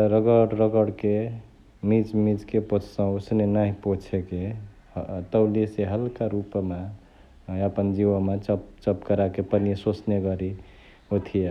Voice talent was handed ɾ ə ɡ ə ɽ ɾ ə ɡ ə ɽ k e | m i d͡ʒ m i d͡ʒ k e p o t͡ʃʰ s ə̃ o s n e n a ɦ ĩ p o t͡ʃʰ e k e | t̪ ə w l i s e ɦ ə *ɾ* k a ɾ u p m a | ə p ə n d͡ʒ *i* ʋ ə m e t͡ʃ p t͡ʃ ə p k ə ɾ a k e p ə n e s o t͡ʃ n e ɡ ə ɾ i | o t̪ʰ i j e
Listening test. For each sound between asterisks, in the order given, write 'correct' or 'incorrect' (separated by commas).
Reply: incorrect, correct